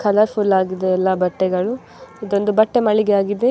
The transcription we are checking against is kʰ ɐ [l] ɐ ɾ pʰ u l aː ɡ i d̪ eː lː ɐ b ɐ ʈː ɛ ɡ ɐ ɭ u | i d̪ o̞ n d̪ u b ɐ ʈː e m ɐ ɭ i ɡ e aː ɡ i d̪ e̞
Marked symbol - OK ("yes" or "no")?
yes